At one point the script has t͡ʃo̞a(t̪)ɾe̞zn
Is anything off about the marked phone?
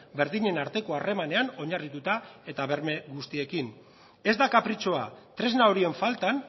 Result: no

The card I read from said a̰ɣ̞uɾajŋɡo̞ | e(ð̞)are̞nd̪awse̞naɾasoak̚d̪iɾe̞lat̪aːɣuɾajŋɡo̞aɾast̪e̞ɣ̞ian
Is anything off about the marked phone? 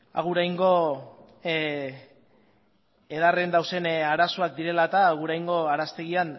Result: no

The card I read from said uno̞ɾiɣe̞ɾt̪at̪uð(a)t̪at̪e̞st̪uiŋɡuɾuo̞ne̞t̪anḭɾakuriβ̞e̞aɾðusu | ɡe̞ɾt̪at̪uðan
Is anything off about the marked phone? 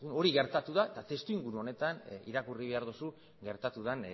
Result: no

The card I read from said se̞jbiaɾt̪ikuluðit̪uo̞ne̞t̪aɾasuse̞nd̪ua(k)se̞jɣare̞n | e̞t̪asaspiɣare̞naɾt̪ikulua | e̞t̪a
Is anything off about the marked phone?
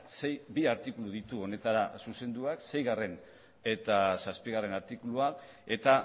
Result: no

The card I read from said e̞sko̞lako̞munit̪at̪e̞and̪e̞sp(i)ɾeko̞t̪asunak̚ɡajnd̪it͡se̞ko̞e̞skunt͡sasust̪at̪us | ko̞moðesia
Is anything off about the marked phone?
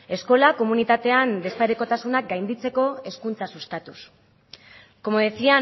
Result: yes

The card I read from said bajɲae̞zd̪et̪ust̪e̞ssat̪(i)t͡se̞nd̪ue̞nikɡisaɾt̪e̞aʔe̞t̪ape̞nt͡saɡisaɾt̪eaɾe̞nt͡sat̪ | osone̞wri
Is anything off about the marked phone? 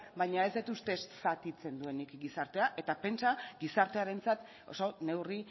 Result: no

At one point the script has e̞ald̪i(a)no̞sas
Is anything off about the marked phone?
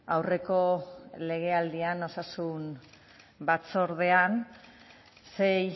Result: no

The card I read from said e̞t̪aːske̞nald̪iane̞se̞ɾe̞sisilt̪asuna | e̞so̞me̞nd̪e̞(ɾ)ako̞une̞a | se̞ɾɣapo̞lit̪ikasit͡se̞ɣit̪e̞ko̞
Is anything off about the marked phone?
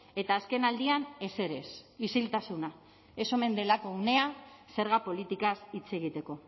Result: yes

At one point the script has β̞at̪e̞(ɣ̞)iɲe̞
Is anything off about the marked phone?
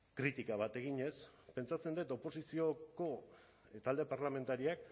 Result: no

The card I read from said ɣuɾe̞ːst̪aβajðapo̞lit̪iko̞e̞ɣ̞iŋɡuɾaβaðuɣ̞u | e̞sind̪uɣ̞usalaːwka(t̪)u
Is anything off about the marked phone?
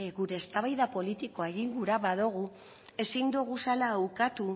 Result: no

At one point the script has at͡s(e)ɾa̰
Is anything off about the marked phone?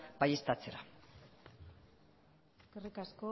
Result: no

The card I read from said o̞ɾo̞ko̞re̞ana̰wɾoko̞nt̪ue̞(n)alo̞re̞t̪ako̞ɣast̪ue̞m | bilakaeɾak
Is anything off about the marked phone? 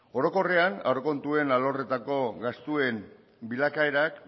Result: no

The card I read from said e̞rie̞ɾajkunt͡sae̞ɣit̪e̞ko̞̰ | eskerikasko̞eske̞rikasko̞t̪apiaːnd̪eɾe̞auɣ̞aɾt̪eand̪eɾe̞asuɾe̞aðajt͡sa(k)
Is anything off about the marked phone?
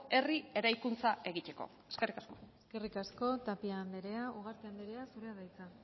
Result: yes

